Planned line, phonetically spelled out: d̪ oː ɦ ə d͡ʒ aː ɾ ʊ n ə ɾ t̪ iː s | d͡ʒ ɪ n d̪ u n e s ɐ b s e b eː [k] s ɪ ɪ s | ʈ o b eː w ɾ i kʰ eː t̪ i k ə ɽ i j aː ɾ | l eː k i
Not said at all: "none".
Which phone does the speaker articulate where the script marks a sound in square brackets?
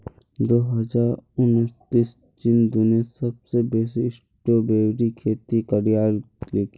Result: none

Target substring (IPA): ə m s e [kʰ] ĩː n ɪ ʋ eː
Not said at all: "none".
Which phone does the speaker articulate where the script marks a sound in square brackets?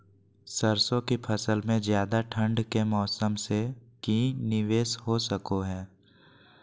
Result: k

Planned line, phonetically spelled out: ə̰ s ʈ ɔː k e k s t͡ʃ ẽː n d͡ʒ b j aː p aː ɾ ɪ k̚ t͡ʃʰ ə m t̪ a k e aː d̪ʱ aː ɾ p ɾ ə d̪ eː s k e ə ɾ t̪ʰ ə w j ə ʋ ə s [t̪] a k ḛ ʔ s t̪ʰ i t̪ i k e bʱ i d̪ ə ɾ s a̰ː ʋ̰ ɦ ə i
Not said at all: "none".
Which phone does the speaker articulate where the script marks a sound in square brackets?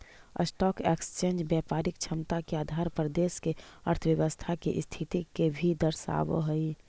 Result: t̪ʰ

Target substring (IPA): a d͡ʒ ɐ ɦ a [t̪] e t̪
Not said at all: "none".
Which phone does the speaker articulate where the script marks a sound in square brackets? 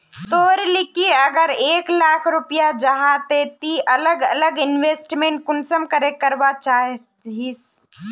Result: t̪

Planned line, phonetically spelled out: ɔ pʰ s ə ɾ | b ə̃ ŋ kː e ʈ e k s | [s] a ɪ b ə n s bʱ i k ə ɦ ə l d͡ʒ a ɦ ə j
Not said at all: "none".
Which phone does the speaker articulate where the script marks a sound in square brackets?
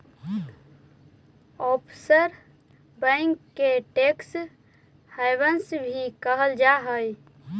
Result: h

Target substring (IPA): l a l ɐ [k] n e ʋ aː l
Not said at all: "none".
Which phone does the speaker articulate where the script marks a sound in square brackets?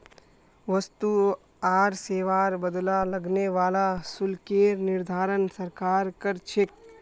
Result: ɡ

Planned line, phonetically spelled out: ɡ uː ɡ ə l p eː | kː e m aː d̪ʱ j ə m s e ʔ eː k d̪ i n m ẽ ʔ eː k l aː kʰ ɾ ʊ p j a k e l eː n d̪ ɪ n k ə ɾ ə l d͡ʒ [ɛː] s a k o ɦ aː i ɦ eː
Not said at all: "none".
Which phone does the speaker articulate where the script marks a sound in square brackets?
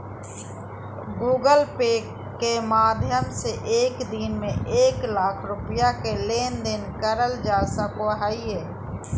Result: aː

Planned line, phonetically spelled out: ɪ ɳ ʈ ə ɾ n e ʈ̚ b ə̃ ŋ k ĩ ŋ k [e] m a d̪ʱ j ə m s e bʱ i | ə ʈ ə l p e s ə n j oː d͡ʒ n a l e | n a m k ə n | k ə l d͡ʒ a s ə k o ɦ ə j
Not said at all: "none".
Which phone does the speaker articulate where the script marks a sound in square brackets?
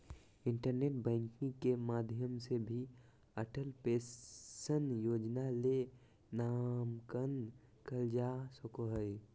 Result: e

